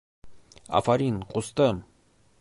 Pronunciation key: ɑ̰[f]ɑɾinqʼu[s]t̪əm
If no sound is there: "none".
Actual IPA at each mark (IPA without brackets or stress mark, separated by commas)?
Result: f, s